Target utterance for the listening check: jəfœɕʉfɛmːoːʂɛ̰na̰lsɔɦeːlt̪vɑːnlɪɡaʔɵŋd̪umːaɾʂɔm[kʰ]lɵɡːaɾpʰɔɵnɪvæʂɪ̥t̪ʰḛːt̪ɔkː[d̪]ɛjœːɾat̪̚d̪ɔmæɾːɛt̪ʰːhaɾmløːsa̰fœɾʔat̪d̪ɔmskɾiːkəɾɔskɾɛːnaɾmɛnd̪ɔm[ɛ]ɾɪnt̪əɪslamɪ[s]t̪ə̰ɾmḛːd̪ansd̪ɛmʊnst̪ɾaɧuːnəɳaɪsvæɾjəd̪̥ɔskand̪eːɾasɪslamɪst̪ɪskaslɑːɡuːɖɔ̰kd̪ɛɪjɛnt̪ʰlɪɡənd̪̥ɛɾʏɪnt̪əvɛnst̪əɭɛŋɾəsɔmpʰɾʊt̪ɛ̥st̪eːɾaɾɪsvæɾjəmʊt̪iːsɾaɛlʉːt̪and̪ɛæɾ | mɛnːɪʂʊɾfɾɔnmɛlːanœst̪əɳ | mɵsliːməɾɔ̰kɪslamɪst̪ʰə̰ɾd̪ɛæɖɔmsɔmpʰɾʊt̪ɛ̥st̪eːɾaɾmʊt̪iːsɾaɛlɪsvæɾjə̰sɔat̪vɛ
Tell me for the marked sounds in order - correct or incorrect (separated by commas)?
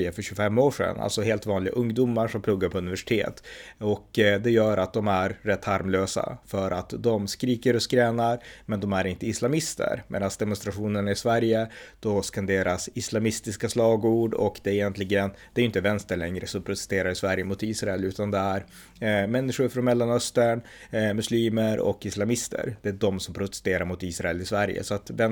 incorrect, correct, incorrect, correct